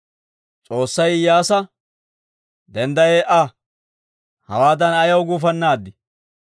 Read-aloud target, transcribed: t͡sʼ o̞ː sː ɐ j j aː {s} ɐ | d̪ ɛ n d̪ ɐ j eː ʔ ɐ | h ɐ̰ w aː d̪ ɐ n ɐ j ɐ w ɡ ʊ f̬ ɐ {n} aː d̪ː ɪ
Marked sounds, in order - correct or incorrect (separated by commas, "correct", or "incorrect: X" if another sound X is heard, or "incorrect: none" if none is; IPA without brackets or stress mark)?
correct, incorrect: nː